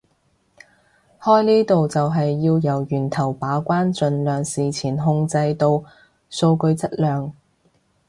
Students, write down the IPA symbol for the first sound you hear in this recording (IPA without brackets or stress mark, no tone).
h